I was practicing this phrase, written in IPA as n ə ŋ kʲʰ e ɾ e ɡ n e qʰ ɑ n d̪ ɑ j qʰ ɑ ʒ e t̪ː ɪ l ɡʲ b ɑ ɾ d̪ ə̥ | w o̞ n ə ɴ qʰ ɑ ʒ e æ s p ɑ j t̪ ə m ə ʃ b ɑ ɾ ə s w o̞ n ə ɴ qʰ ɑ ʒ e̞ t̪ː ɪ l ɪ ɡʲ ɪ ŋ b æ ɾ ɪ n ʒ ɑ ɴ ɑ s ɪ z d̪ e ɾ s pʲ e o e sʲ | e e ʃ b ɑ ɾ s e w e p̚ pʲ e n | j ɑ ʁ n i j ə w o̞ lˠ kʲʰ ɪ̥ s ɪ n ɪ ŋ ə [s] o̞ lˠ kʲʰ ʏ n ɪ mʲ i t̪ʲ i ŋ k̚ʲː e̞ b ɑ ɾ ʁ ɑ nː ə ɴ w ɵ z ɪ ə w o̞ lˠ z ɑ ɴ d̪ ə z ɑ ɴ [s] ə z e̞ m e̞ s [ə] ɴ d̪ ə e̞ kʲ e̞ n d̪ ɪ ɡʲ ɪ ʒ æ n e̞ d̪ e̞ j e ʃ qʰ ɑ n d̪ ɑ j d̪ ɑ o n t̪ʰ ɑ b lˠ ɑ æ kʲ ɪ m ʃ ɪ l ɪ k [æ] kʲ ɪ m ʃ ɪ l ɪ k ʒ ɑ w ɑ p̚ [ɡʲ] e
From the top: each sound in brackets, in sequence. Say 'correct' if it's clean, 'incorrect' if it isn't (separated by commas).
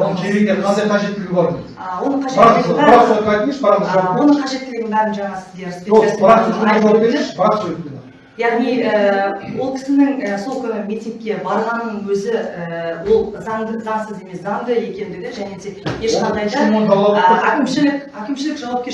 correct, correct, incorrect, correct, incorrect